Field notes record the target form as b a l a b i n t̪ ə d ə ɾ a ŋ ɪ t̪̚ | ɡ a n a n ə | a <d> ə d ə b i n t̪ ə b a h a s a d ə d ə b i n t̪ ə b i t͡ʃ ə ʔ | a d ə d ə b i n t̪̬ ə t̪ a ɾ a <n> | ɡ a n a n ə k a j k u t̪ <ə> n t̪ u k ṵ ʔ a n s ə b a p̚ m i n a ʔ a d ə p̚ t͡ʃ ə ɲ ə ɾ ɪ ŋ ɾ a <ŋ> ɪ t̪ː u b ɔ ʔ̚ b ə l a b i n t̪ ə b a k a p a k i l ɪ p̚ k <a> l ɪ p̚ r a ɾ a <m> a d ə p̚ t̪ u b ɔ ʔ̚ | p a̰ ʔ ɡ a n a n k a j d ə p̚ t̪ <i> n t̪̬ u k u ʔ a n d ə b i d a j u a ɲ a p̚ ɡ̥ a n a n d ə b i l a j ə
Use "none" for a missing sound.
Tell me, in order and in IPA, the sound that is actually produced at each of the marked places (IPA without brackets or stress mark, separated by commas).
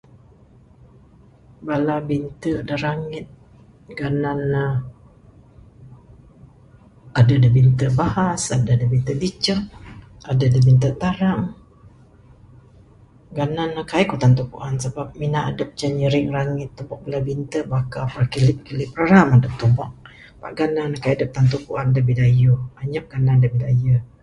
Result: d, ŋ, a, ŋ, i, m, a